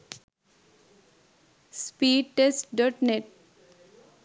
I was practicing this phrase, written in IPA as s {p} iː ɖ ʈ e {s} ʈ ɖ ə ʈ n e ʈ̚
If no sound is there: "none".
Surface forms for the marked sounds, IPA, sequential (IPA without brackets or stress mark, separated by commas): p, s